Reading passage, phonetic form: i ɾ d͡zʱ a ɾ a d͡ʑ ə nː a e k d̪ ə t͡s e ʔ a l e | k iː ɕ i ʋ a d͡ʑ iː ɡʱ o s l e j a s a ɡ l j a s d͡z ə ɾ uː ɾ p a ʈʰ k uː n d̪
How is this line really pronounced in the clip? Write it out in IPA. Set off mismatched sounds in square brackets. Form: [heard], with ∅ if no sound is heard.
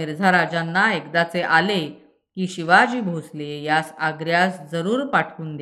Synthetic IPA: i ɾ d͡zʱ a ɾ a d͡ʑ [a] nː a e k d̪ [a] t͡s e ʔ a l e | k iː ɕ i ʋ a d͡ʑ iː [bʱ] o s l e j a s a ɡ [ɾ] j a s d͡z ə ɾ uː ɾ p a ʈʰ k uː n d̪